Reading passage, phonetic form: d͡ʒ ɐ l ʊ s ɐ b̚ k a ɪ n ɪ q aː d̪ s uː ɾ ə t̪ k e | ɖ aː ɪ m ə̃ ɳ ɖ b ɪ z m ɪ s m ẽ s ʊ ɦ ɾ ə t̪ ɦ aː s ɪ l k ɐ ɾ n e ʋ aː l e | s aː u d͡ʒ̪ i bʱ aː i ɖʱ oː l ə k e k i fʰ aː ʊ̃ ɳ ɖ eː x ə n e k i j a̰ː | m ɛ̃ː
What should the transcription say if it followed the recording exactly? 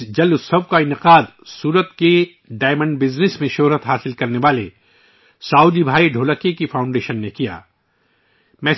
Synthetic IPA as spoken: d͡ʒ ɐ l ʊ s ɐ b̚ k a ɪ n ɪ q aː d̪ s uː ɾ ə t̪ k e | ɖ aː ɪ m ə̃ ɳ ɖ b ɪ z n ɪ s m ẽ ʃ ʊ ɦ ɾ ə t̪ ɦ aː s ɪ l k ɐ ɾ n e ʋ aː l e | s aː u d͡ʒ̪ i bʱ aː i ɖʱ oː l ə k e k i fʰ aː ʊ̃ ɳ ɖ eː ʃ ə nː e k i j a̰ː | m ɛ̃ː